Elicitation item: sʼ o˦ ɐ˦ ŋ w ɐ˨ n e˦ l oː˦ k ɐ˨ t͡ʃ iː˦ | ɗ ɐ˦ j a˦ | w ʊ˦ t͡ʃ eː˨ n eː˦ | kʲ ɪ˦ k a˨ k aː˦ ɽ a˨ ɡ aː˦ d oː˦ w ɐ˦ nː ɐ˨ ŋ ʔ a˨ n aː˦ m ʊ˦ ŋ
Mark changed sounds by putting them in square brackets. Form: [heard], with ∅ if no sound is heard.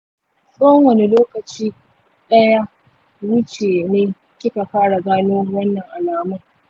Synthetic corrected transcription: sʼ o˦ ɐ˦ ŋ w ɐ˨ n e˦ l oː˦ k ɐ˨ t͡ʃ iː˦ | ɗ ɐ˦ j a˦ | w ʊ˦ t͡ʃ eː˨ n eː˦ | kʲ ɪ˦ k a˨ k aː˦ ɽ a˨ ɡ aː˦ [n] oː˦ w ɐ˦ nː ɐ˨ ŋ ʔ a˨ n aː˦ m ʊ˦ ŋ